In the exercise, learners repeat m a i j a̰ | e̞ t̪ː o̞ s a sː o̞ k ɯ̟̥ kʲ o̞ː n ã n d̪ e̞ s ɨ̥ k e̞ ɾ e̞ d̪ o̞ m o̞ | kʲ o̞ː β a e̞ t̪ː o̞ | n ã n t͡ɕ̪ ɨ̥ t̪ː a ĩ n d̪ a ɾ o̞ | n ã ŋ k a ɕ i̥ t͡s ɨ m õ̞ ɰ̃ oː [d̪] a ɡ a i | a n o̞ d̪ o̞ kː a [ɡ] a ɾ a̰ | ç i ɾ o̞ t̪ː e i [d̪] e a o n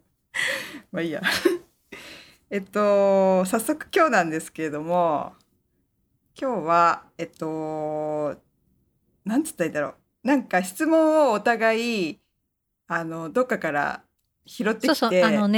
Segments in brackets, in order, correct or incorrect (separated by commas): incorrect, incorrect, incorrect